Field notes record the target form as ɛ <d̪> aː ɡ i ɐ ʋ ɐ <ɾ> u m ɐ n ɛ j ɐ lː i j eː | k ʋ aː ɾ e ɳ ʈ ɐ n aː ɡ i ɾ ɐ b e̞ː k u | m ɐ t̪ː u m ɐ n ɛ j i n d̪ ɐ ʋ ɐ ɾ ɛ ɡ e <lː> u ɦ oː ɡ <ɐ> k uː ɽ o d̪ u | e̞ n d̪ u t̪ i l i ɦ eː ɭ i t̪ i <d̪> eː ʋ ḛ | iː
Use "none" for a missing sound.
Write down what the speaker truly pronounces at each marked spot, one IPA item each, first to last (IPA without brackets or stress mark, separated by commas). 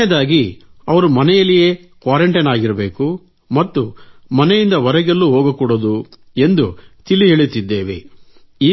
d̪, ɾ, lː, ɐ, d̪ː